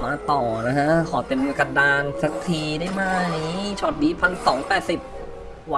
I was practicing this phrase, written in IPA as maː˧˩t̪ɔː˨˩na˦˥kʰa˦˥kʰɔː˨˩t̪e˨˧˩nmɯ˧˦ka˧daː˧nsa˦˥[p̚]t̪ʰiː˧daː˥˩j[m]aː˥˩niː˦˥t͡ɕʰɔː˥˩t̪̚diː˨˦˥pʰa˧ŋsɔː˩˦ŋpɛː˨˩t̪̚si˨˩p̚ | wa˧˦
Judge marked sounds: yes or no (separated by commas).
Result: no, yes